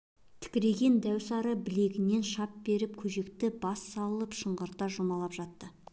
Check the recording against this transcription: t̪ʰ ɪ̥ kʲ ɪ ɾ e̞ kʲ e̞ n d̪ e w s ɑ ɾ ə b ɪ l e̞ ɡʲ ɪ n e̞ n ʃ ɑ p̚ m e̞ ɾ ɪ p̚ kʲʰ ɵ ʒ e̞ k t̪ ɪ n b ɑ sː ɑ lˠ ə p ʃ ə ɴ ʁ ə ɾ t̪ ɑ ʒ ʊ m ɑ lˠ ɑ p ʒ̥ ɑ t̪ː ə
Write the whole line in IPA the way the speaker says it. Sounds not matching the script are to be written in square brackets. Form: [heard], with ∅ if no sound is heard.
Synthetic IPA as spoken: t̪ʰ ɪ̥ kʲ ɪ ɾ e̞ [ɡʲ] e̞ n d̪ [æ] w s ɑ ɾ ə b ɪ l e̞ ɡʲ ɪ n e̞ n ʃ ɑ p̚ [b] e̞ ɾ ɪ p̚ kʲʰ ɵ ʒ e̞ k t̪ ɪ [∅] b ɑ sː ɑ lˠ ə p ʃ ə ɴ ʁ ə ɾ t̪ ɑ ʒ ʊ m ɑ lˠ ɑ p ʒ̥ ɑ t̪ː ə